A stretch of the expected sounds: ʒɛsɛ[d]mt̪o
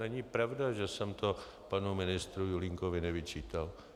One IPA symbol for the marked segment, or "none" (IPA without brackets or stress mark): none